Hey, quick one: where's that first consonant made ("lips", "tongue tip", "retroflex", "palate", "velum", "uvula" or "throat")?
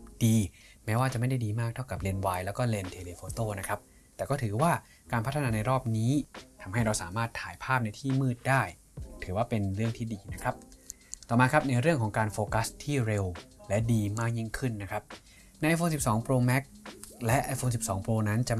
tongue tip